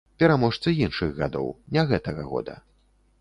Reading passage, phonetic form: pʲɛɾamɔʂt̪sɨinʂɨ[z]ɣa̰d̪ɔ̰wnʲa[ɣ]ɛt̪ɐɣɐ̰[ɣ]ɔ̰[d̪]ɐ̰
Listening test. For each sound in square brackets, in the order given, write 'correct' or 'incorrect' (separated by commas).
incorrect, correct, correct, correct